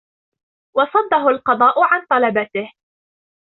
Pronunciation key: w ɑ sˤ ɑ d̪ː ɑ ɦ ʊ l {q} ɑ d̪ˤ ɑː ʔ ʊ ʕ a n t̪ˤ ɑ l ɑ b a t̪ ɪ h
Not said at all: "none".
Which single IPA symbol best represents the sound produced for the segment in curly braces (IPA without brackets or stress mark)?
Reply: q